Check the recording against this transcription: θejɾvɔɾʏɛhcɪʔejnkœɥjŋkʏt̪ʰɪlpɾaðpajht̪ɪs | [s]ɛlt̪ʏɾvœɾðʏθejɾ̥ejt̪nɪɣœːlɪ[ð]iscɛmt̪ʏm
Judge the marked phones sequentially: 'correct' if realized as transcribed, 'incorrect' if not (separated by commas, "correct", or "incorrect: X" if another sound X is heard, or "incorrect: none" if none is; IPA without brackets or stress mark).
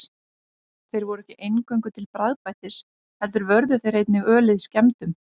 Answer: incorrect: h, correct